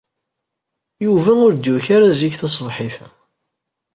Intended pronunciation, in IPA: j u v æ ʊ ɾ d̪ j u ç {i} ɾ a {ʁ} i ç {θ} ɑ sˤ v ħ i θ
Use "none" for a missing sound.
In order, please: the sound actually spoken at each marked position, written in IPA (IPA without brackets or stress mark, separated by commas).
a, z, θ